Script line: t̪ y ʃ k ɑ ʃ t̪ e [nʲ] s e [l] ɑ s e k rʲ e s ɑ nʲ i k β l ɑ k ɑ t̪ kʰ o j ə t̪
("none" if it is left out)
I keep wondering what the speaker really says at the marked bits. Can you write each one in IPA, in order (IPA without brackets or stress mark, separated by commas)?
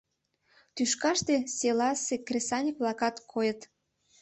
none, l